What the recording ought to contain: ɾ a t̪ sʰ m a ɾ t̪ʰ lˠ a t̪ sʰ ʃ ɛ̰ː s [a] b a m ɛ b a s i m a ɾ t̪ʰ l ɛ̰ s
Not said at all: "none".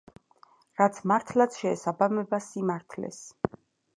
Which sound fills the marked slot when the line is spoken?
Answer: a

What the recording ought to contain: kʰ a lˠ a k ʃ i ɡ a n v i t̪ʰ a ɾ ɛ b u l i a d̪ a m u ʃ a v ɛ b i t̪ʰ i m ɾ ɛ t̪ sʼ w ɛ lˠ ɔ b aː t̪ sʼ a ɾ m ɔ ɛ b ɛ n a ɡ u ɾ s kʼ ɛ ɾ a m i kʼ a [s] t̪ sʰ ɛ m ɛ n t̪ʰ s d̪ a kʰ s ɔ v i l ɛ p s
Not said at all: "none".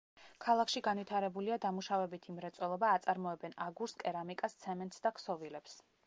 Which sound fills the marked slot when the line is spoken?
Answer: s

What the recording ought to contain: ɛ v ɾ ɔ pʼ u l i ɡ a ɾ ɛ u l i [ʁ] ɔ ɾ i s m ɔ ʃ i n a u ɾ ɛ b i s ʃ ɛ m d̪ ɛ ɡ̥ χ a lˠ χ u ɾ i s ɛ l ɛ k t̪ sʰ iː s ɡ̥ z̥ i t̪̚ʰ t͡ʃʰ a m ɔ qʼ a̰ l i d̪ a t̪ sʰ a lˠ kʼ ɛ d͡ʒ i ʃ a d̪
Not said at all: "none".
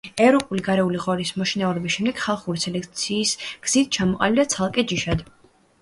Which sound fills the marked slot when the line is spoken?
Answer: ʁ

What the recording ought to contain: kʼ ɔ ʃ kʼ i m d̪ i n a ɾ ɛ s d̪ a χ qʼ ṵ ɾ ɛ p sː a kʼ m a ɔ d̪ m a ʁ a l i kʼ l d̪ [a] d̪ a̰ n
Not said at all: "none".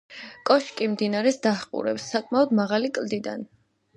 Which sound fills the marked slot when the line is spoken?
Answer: i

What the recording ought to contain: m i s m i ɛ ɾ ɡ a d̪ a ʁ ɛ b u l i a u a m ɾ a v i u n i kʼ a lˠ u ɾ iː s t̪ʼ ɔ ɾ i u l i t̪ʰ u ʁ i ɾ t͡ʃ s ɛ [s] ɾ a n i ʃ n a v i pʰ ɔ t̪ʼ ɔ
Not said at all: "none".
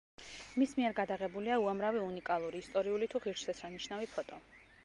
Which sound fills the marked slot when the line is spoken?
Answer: s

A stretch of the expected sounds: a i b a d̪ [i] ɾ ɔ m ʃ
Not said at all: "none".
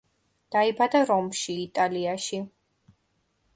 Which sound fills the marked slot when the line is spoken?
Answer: a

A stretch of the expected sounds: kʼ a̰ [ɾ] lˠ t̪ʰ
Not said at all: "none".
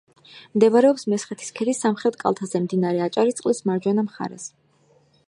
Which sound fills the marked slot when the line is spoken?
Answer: none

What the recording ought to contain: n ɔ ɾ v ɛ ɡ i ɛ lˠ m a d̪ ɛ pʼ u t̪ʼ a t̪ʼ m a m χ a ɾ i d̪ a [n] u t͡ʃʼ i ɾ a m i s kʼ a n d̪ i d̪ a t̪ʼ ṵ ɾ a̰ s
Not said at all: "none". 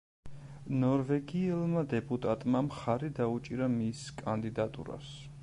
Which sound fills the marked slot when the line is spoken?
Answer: none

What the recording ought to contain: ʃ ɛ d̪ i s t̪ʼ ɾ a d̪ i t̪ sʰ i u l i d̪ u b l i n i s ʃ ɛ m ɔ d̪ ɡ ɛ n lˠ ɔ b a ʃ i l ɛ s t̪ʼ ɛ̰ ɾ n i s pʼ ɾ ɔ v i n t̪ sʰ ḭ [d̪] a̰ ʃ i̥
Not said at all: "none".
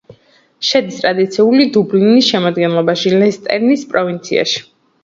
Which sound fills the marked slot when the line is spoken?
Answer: none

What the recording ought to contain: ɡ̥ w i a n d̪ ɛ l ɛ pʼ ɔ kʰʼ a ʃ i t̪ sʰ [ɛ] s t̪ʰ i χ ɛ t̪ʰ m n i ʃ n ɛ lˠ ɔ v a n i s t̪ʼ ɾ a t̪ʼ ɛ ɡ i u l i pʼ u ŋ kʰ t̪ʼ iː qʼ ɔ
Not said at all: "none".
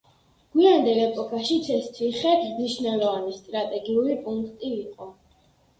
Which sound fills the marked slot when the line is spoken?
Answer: ɛ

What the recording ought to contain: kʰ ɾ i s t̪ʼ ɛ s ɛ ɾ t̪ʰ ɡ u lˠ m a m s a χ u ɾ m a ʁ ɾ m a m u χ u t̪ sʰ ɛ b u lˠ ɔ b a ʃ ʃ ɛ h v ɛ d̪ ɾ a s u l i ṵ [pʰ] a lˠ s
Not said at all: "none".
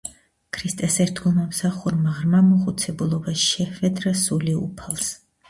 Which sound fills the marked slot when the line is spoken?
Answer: pʰ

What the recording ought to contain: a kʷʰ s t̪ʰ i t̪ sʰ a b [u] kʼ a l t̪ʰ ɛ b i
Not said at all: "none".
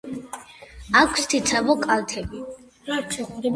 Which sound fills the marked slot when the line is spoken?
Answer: ɔ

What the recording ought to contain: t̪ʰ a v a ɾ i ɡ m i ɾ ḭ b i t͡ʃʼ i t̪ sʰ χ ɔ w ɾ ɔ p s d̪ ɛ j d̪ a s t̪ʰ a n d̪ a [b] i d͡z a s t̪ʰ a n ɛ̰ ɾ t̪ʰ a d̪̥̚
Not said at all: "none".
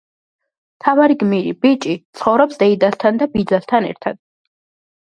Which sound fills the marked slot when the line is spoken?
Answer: b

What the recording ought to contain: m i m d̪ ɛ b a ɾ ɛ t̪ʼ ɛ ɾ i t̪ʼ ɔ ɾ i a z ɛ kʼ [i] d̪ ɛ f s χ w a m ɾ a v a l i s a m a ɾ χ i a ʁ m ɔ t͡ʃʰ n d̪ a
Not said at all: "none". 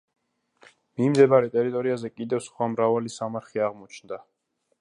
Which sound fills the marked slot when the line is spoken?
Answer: i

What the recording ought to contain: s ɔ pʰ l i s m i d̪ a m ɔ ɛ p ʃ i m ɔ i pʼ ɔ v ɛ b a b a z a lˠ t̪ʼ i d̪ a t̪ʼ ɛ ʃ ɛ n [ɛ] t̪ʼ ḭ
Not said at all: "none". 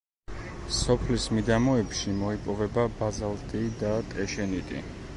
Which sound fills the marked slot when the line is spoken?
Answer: i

